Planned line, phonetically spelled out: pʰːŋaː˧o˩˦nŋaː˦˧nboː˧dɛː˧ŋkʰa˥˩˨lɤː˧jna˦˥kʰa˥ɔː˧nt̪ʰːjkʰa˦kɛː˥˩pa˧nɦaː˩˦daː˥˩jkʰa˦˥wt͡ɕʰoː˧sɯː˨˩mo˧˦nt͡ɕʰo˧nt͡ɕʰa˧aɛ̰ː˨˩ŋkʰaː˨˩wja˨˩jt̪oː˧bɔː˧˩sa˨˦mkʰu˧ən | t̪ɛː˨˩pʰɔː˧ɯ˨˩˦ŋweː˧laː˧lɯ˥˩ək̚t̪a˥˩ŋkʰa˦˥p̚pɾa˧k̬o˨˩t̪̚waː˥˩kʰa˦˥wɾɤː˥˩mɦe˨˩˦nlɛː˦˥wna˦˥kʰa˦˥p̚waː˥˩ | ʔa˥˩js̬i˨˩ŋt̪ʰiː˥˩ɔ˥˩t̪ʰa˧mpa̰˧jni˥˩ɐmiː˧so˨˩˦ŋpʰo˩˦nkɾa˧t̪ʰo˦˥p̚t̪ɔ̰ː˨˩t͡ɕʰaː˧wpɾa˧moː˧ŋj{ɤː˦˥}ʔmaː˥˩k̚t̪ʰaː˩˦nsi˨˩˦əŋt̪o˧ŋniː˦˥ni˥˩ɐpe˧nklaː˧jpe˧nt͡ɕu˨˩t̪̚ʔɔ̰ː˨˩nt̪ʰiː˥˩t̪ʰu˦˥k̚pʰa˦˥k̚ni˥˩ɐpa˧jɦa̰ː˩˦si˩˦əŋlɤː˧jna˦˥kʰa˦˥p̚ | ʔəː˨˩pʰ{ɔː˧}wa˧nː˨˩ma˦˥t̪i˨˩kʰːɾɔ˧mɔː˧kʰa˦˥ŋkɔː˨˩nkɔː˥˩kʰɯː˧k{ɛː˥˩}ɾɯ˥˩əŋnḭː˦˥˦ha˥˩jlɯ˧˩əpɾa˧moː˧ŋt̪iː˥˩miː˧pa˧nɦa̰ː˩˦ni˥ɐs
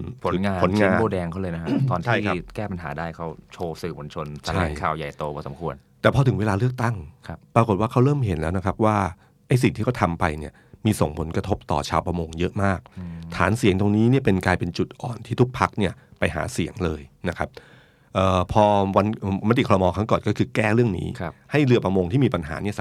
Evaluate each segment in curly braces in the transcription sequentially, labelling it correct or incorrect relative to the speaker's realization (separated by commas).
incorrect, correct, correct